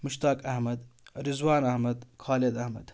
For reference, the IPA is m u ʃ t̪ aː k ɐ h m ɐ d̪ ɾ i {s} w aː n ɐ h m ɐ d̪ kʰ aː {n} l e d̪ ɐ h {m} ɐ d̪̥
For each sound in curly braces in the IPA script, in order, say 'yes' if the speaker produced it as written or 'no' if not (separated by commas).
no, no, yes